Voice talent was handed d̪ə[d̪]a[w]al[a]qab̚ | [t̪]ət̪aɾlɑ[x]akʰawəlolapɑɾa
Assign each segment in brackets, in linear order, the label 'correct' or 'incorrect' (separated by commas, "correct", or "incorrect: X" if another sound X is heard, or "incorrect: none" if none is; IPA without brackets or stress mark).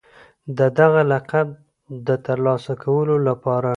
correct, incorrect: ɣ, correct, incorrect: d̪, incorrect: s